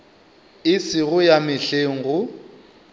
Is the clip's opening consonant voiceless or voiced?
voiceless